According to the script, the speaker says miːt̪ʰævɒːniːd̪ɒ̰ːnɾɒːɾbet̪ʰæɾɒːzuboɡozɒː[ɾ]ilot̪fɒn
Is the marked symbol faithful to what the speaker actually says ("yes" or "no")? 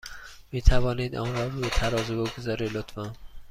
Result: yes